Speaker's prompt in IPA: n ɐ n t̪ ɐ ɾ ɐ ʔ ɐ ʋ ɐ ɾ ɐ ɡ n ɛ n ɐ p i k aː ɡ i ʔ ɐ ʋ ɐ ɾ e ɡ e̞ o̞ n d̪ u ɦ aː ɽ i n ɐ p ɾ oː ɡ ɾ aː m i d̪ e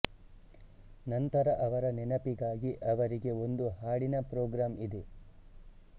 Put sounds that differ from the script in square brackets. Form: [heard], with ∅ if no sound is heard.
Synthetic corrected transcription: n ɐ n t̪ ɐ ɾ ɐ ʔ ɐ ʋ ɐ ɾ ɐ [∅] n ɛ n ɐ p i [ɡ] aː ɡ i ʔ ɐ ʋ ɐ ɾ [i] ɡ e̞ o̞ n d̪ u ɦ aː ɽ i n ɐ p ɾ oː ɡ ɾ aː m i d̪ e

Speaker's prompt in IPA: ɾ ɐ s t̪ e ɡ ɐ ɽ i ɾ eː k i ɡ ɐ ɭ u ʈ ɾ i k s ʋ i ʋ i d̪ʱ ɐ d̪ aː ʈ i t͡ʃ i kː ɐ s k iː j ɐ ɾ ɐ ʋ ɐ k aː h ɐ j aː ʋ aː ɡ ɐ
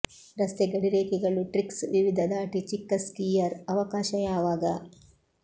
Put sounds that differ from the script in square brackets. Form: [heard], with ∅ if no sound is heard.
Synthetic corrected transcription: ɾ ɐ s t̪ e ɡ ɐ ɽ i ɾ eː k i ɡ ɐ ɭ u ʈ ɾ i k s ʋ i ʋ i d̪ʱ ɐ d̪ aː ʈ i t͡ʃ i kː ɐ s k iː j ɐ ɾ ɐ ʋ ɐ k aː [ʃ] ɐ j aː ʋ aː ɡ ɐ

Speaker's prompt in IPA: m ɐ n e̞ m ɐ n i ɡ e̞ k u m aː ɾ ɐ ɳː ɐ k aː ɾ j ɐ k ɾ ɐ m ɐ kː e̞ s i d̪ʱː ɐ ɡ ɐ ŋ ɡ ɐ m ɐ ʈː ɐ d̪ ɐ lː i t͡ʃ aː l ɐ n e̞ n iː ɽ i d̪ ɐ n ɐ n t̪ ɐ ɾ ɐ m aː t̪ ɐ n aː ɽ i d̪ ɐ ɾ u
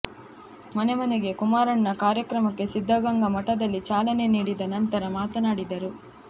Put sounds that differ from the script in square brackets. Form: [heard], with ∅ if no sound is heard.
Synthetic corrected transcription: m ɐ n e̞ m ɐ n [e] ɡ e̞ k u m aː ɾ ɐ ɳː ɐ k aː ɾ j ɐ k ɾ ɐ m ɐ kː e̞ s i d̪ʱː ɐ ɡ ɐ ŋ ɡ ɐ m ɐ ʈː ɐ d̪ ɐ lː i t͡ʃ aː l ɐ n e̞ n iː ɽ i d̪ ɐ n ɐ n t̪ ɐ ɾ ɐ m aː t̪ ɐ n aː ɽ i d̪ ɐ ɾ u

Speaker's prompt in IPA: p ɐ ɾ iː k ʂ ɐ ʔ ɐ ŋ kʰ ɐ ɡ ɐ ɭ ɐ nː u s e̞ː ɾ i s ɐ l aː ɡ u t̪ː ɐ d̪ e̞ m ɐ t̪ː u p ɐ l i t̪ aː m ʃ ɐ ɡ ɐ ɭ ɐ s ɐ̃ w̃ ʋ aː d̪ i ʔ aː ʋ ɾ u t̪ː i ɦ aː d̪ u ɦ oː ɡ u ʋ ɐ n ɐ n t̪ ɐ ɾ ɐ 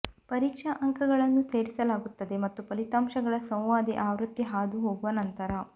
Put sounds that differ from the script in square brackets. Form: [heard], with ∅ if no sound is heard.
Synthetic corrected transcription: p ɐ ɾ iː k ʂ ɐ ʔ ɐ ŋ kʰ ɐ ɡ ɐ ɭ ɐ nː u s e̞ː ɾ i s ɐ l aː ɡ u t̪ː ɐ d̪ e̞ m ɐ t̪ː u p ɐ l i t̪ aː m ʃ ɐ ɡ ɐ ɭ ɐ s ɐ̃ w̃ ʋ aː d̪ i ʔ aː ʋ ɾ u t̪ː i ɦ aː d̪ u ɦ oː ɡ u ʋ ɐ n ɐ n t̪ ɐ ɾ ɐ

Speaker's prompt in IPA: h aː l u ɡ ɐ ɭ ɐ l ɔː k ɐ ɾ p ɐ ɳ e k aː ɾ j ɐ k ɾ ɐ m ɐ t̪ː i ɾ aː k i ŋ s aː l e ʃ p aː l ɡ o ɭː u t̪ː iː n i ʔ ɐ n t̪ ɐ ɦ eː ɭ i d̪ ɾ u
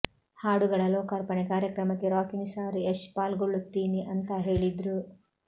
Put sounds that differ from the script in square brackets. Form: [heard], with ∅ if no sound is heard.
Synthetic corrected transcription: h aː [ɽ] u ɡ ɐ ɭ ɐ l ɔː k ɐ ɾ p ɐ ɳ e k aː ɾ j ɐ k ɾ ɐ m ɐ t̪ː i ɾ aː k i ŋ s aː [ɾ] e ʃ p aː l ɡ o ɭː u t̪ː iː n i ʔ ɐ n t̪ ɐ ɦ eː ɭ i d̪ ɾ u

